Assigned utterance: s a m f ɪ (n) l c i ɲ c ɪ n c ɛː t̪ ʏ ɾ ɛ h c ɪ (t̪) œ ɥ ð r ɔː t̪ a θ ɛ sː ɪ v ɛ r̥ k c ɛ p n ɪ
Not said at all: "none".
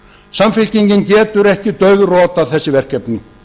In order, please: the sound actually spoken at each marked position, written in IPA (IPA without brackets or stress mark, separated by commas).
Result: none, t̪